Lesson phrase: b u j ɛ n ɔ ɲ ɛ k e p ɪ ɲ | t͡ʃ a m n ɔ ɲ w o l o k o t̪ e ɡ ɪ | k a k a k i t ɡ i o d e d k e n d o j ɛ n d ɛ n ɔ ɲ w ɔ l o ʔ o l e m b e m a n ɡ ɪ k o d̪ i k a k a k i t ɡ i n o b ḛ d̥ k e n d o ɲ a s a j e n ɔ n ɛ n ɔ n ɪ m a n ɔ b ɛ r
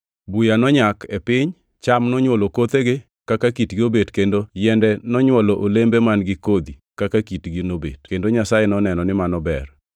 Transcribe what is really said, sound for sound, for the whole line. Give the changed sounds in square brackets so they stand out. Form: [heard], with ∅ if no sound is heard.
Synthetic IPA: b u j [a] n ɔ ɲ [a] k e p ɪ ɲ | t͡ʃ a m n ɔ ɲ w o l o k o t̪ e ɡ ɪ | k a k a k i t ɡ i o [b] e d k e n d o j ɛ n d ɛ n ɔ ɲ w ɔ l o ʔ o l e m b e m a n ɡ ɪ k o d̪ i k a k a k i t ɡ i n o b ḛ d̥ k e n d o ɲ a s a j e n ɔ n ɛ n ɔ n ɪ m a n ɔ b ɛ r